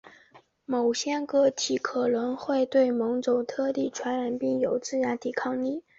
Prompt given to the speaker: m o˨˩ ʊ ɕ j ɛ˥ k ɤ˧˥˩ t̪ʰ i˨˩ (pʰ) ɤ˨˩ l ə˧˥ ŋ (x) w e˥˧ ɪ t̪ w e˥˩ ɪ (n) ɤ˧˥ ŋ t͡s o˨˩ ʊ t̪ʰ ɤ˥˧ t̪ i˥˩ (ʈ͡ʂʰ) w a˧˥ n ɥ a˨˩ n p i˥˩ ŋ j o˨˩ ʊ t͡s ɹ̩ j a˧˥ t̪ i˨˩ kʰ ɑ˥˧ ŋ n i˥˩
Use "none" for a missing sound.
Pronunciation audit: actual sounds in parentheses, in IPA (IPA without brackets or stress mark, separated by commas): kʰ, x, m, ʈ͡ʂʰ